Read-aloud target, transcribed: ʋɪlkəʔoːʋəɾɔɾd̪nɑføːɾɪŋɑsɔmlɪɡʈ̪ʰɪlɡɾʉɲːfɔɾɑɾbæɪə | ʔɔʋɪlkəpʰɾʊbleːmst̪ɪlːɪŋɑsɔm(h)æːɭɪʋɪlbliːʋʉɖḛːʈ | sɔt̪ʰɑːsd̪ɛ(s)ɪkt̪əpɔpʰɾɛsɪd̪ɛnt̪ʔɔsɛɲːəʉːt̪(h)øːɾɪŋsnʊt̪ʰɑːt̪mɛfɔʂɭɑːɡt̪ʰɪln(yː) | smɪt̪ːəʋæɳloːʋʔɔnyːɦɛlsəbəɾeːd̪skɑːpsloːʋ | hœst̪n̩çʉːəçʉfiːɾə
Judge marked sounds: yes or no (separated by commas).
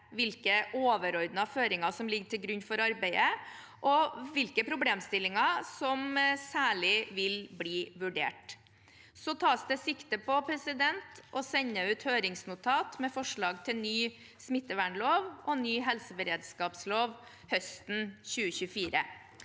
no, yes, yes, yes